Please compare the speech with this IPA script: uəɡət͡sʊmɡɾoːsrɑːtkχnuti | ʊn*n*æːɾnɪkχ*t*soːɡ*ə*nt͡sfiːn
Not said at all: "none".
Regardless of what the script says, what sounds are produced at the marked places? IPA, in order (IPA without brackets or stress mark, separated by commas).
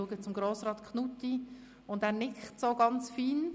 d, t, ɑ